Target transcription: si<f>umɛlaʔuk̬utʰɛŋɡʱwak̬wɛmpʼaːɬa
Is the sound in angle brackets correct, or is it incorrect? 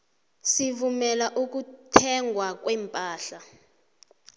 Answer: incorrect